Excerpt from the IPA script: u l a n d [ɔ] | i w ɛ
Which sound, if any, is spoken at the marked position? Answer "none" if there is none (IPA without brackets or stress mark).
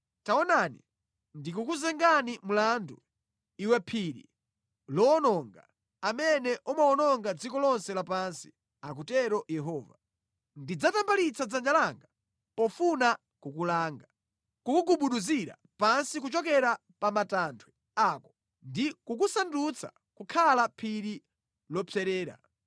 u